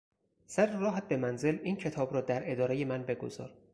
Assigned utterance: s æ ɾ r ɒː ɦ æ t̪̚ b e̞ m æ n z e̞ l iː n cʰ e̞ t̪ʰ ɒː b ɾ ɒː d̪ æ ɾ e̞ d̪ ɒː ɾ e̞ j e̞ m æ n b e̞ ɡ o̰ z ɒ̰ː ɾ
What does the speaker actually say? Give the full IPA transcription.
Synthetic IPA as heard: s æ ɾ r ɒː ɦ æ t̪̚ b e̞ m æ n z e̞ l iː n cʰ e̞ t̪ʰ ɒː b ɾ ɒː d̪ æ ɾ e̞ d̪ ɒː ɾ e̞ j e̞ m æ n b e̞ ɡ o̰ z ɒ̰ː ɾ